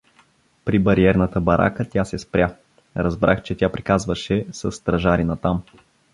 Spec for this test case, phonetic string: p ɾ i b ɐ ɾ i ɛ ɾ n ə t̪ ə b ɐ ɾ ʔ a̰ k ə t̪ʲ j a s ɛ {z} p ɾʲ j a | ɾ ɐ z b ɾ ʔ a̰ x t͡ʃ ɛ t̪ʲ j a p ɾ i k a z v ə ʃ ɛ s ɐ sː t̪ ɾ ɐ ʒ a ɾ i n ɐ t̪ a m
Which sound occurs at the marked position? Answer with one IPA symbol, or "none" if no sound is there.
s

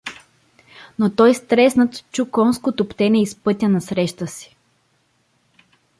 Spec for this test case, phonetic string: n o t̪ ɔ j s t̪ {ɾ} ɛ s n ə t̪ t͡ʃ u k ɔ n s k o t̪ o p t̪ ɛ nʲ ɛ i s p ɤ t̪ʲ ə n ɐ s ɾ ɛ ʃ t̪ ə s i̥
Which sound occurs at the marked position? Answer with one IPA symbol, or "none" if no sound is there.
ɾ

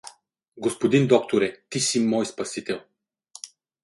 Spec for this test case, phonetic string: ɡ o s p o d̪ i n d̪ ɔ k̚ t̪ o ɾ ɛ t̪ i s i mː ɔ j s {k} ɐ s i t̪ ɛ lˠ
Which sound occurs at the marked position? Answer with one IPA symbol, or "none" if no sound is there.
p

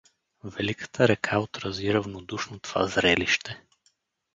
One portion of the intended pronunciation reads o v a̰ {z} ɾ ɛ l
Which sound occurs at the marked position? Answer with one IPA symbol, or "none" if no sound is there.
z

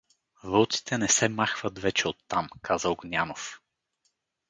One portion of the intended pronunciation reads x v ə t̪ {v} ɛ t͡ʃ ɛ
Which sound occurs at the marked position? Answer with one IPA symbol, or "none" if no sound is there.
v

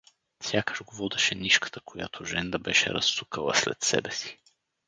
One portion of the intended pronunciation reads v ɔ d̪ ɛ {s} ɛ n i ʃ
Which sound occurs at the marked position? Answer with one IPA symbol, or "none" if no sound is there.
ʃ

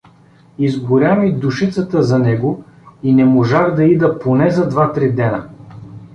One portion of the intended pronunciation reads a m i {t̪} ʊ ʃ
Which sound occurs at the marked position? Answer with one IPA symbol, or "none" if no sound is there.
d̪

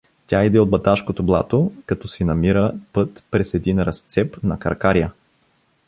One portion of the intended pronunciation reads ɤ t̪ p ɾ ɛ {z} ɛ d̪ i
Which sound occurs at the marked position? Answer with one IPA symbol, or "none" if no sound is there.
s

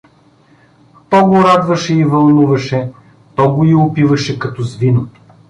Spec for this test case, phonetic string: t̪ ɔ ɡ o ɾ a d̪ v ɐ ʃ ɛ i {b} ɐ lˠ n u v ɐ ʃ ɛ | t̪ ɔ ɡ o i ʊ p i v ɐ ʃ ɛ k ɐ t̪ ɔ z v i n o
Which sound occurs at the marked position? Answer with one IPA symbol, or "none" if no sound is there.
v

